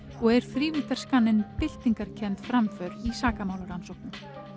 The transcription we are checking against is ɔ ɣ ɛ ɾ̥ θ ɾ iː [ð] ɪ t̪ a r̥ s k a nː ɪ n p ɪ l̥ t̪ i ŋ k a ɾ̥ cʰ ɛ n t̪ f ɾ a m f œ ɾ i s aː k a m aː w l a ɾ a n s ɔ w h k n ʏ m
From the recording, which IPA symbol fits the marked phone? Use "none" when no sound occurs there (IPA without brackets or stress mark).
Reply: v